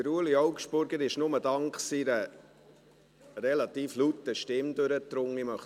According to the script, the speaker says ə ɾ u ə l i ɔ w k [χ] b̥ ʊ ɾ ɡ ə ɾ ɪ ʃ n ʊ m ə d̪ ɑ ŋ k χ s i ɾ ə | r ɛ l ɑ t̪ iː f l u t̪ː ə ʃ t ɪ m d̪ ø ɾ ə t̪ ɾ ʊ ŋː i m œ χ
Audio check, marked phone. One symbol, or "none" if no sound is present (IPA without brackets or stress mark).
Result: ʃ